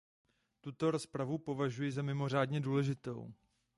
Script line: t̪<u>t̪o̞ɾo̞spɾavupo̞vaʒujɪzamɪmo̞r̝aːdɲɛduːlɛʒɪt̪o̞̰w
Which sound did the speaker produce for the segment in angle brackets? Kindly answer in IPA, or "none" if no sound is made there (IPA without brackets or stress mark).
u